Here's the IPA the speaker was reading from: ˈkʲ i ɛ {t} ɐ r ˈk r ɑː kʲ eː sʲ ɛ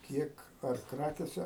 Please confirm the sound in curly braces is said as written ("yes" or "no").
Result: no